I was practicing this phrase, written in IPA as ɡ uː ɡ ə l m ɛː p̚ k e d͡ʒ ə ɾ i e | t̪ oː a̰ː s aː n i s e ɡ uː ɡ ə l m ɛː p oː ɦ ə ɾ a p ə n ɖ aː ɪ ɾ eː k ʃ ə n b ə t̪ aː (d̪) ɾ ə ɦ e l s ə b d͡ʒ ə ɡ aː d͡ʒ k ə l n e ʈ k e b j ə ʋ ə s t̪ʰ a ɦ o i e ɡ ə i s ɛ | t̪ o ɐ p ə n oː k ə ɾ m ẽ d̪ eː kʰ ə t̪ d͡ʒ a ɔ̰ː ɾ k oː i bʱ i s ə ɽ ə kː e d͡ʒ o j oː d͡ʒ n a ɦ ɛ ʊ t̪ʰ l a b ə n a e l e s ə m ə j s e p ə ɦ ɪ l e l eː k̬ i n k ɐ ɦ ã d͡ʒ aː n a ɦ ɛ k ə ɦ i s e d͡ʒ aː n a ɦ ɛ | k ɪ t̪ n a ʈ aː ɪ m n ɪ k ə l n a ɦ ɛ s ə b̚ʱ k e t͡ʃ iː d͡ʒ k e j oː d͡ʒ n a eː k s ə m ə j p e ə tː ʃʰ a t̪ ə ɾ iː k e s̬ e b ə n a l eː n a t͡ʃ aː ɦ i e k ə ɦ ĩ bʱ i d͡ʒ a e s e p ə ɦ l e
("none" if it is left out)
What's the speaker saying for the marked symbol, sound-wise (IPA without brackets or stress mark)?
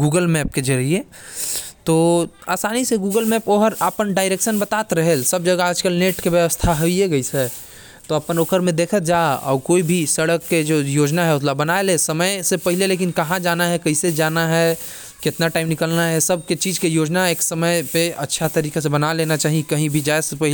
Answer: t̪